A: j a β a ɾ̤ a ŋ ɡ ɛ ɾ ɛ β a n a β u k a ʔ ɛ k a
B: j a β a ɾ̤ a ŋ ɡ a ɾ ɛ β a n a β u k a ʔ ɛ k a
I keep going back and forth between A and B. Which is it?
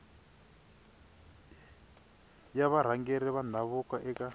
A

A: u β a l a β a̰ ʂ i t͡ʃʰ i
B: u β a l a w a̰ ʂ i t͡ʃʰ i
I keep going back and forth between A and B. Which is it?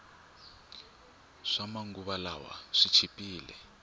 B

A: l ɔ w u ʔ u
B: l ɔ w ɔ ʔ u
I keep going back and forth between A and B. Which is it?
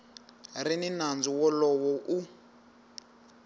B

